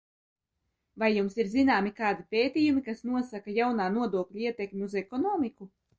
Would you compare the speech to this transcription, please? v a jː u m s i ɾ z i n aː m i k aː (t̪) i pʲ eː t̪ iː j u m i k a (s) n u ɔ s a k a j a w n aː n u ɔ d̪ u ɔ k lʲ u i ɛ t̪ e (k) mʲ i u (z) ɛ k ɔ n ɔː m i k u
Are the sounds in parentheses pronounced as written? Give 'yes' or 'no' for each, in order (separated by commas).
no, yes, yes, yes